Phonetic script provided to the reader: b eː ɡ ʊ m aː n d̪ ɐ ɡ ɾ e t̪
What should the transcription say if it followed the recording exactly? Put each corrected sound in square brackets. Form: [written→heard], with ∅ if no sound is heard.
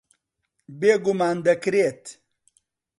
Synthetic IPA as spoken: b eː ɡ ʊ m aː n d̪ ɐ [ɡ→k] ɾ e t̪

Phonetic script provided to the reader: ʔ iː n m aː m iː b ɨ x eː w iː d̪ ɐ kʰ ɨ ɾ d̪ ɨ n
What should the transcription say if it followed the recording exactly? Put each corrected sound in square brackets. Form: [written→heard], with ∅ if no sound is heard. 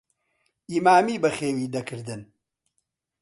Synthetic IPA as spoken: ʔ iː [n→∅] m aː m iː b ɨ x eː w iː d̪ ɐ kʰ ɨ ɾ d̪ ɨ n

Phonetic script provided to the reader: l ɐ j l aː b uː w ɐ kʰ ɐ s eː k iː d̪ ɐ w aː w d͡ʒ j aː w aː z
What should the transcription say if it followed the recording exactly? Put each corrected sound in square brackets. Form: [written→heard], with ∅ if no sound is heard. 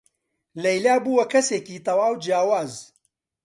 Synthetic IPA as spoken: l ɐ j l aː b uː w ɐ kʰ ɐ s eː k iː [d̪→t̪] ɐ w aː w d͡ʒ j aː w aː z

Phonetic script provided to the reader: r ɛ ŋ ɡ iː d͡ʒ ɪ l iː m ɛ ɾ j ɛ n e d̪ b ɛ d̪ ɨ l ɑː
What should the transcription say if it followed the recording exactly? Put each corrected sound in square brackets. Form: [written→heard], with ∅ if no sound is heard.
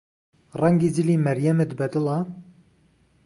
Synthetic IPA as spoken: r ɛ ŋ ɡ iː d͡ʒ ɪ l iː m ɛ ɾ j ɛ [n→m] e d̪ b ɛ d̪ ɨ l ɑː

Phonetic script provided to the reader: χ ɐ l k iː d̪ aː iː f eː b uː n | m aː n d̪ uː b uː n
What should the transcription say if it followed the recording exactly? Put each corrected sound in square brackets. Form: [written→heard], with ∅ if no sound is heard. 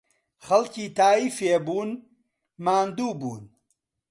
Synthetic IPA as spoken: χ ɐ l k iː [d̪→t̪] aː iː f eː b uː n | m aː n d̪ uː b uː n

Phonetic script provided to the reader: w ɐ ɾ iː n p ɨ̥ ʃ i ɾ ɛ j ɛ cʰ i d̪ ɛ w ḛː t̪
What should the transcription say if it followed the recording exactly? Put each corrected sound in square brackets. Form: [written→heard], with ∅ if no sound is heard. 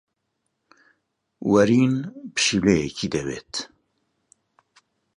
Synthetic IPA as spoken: w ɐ ɾ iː n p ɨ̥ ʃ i [ɾ→l] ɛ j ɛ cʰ i d̪ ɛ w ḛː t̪

